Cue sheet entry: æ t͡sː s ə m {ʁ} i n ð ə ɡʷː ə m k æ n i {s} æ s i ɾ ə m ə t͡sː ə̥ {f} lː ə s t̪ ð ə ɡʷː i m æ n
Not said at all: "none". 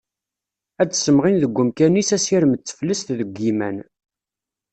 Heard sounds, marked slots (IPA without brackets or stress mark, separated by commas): ʁ, s, f